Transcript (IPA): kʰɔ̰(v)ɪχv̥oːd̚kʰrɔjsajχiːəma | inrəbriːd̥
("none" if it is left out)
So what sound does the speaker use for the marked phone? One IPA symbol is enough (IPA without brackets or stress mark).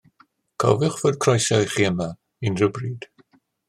v